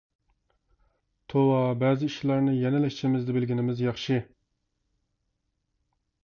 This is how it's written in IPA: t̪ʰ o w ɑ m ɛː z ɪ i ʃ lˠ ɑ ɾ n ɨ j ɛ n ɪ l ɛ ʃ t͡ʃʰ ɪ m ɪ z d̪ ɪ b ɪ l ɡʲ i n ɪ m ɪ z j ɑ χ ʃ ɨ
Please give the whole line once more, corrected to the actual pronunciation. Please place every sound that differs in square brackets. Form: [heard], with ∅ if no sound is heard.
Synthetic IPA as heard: t̪ʰ o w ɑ [b] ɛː z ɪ i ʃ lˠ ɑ ɾ n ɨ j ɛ n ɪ l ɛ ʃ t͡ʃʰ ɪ m ɪ z d̪ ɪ b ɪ l ɡʲ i n ɪ m ɪ z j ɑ χ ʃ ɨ